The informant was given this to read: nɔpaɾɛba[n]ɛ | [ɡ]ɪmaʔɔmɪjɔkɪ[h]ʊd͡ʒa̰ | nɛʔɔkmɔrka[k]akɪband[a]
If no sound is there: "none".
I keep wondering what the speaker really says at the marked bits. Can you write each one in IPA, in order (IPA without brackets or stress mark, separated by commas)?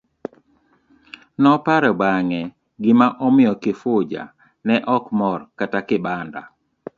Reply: ŋ, ɡ, f, t, a